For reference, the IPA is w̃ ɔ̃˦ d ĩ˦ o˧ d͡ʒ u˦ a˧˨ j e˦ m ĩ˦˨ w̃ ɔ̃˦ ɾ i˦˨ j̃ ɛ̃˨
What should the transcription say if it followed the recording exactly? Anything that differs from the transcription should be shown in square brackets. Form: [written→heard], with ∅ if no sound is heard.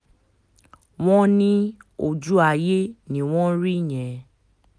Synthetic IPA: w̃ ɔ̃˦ [d→n] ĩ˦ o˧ d͡ʒ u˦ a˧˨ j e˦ [m→n] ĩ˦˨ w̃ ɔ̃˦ ɾ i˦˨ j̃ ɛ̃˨